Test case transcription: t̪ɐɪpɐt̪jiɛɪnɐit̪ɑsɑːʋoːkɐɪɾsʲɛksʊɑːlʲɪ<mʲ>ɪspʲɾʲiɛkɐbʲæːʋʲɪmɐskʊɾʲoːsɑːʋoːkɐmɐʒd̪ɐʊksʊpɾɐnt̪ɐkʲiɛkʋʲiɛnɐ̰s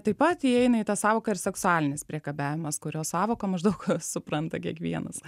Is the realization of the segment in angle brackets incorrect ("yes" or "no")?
yes